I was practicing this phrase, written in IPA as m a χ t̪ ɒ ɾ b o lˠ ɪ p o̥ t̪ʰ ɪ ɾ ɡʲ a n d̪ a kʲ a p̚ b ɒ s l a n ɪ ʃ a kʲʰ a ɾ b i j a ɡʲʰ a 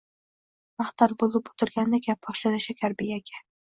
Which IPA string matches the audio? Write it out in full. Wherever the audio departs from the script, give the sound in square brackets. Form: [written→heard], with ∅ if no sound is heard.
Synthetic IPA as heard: m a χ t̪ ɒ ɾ b o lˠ ɪ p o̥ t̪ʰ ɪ ɾ ɡʲ a n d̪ a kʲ a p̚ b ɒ [s→ʃ] l a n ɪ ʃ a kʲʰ a ɾ b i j a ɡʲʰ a